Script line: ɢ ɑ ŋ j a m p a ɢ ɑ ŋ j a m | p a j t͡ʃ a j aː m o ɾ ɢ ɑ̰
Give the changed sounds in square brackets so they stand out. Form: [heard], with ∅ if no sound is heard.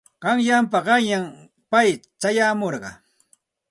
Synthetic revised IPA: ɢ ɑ ŋ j a m p a ɢ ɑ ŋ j a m | p a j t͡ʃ a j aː m o ɾ ɢ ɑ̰